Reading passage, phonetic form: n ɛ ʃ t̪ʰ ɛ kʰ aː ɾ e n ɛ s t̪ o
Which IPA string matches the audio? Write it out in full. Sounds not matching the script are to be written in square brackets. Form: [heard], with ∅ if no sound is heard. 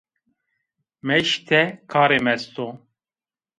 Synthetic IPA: [m] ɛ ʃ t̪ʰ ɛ kʰ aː ɾ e [m] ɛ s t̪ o